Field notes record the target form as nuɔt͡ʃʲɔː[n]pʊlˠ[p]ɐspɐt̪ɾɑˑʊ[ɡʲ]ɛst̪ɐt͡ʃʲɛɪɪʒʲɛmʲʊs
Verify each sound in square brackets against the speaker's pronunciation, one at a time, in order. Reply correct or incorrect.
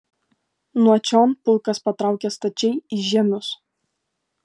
correct, incorrect: k, incorrect: kʲ

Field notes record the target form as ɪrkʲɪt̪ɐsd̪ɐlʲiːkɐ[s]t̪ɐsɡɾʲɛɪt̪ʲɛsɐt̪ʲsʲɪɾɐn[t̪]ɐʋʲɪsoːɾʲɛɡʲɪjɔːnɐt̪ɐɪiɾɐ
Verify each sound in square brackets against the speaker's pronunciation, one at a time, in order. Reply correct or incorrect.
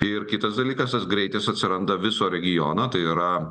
correct, incorrect: d̪

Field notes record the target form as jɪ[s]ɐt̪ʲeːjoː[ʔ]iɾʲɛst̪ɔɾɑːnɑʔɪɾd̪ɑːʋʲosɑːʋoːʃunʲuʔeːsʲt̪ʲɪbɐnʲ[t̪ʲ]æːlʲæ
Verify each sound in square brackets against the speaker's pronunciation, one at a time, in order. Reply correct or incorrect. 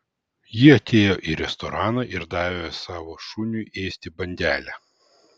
incorrect: none, correct, incorrect: d̪ʲ

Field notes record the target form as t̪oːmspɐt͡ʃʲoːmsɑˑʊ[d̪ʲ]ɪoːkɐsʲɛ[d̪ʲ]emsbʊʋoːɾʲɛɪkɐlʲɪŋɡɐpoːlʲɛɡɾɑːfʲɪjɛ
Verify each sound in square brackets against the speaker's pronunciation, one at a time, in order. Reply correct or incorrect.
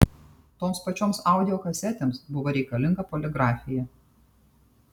correct, incorrect: t̪ʲ

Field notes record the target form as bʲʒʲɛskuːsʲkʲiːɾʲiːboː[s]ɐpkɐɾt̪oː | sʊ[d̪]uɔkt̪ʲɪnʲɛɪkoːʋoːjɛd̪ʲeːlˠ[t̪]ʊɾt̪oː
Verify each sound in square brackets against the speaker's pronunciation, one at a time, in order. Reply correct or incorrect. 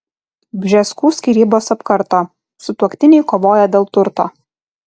correct, incorrect: t̪, correct

